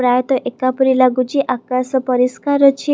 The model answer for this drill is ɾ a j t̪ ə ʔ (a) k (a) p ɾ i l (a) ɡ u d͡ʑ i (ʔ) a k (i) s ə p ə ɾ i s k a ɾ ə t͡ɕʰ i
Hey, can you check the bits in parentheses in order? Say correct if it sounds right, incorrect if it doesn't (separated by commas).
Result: incorrect, correct, correct, correct, incorrect